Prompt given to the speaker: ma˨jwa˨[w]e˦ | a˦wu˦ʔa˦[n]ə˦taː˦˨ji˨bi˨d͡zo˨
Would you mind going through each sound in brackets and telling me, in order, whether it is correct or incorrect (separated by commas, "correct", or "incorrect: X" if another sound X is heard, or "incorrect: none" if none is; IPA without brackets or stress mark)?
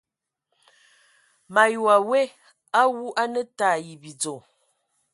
correct, correct